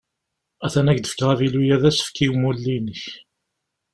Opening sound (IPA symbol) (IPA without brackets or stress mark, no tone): æ